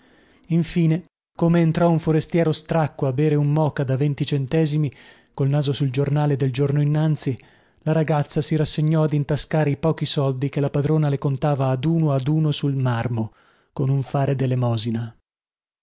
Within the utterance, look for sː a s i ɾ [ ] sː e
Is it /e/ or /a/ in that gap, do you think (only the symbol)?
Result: a